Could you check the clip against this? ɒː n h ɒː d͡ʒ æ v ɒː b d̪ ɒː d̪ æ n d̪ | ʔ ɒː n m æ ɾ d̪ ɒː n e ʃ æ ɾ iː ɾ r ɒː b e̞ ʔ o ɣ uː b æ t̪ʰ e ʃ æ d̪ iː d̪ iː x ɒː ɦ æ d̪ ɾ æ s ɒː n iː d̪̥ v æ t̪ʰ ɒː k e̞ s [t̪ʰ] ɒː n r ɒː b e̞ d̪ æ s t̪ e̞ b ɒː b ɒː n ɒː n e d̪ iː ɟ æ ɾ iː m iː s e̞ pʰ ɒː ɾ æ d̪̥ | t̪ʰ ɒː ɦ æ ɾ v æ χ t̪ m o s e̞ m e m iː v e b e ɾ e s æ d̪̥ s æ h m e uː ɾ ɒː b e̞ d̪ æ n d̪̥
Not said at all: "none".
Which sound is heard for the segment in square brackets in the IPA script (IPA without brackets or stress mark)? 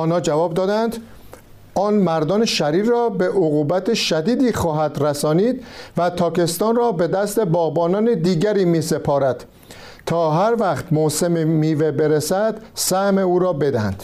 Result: t̪